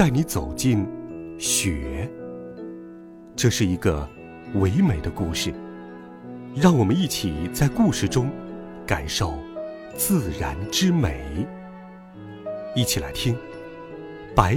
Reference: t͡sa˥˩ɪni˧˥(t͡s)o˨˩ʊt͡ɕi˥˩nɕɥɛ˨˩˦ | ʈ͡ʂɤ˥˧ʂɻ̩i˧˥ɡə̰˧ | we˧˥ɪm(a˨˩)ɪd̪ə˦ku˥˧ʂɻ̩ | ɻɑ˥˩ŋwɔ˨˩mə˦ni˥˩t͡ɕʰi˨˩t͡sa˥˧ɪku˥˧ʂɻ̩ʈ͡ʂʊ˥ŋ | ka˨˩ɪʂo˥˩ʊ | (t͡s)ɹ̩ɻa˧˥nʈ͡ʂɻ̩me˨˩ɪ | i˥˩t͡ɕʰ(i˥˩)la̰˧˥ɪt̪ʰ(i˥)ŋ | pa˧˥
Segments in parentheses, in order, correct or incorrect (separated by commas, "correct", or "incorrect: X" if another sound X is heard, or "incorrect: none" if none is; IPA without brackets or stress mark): correct, incorrect: e˨˩, correct, incorrect: i˨˩, correct